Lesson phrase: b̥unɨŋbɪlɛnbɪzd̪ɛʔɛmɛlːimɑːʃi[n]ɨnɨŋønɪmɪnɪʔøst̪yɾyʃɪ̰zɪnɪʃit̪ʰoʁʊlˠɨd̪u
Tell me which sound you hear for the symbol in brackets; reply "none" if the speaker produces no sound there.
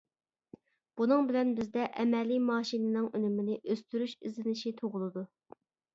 n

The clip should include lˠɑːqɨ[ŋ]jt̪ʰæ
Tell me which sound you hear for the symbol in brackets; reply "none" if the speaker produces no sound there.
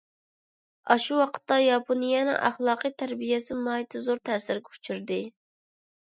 none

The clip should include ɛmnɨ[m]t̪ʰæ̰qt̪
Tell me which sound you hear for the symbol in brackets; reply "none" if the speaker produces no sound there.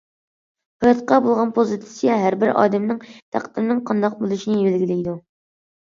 ŋ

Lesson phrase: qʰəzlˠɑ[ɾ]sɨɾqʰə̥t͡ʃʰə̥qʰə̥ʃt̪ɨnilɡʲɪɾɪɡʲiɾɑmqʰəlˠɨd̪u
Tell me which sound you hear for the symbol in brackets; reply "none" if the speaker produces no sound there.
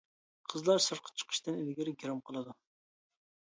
ɾ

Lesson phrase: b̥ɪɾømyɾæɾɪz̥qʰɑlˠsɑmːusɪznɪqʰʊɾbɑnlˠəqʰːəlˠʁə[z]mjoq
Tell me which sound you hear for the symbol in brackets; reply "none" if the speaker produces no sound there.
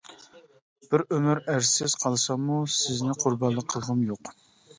none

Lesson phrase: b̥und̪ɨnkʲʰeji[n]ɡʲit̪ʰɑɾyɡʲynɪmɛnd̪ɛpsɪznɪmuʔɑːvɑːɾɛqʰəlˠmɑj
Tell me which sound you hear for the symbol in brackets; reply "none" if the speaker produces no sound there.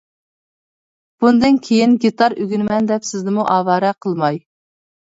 n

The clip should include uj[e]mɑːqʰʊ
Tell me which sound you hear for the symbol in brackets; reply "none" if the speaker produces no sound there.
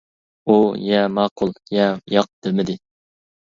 ɛ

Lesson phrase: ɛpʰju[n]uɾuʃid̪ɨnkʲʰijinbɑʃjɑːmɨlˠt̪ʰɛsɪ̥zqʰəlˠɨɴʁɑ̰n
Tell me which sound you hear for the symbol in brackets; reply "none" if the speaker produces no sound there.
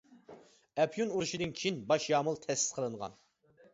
n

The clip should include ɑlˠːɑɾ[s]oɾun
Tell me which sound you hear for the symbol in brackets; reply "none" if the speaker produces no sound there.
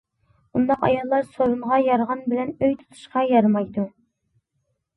s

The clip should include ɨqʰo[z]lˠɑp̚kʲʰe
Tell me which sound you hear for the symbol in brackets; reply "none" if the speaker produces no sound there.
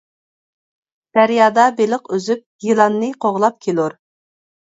ʁ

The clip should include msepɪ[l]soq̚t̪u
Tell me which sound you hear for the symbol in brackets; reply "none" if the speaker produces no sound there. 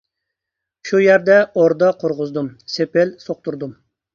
l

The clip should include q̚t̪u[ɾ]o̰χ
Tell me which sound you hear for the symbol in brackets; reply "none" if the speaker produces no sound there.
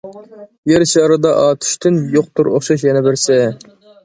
ɾ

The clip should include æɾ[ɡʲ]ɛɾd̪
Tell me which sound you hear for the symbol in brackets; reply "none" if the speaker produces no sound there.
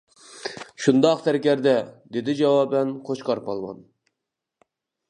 kʲ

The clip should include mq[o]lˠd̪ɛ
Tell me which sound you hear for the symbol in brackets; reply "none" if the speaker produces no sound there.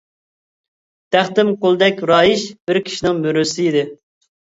o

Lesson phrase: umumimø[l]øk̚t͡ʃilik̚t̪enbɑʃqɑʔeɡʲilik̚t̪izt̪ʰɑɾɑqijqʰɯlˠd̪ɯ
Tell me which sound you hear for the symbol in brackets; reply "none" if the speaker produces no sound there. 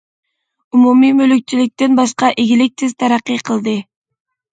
l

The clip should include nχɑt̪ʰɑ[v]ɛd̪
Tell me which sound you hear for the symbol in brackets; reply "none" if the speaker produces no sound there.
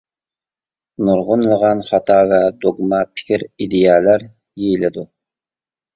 v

